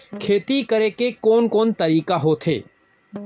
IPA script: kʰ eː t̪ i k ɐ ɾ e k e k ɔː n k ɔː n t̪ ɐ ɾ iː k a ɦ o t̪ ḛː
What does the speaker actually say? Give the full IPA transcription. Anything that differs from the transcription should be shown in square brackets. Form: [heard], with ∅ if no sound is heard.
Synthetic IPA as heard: kʰ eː t̪ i k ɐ ɾ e k e k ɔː n k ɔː n t̪ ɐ ɾ iː k a ɦ o [t̪ʰ] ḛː